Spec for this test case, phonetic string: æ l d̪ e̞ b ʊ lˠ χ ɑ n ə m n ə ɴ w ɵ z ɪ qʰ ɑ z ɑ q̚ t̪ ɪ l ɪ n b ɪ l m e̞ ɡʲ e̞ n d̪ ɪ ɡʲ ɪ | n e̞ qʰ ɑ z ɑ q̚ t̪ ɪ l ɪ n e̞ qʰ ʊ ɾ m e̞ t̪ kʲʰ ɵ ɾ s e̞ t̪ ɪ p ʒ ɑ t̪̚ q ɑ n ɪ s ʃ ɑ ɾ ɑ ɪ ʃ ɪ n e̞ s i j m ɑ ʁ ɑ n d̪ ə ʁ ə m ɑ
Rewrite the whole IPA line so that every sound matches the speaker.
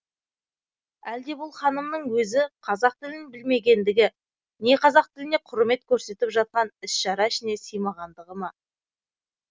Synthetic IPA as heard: æ l d̪ e̞ b ʊ lˠ χ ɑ n ə m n ə ɴ w ɵ z ɪ qʰ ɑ z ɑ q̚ t̪ ɪ l ɪ n b ɪ l m e̞ ɡʲ e̞ n d̪ ɪ ɡʲ ɪ | n e̞ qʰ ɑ z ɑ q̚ t̪ ɪ l ɪ n e̞ qʰ ʊ ɾ m e̞ t̪ kʲʰ ɵ ɾ s e̞ t̪ ɪ p ʒ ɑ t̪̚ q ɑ n ɪ s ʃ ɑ ɾ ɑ ɪ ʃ ɪ n e̞ s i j m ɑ ʁ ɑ n d̪ ə ʁ ə m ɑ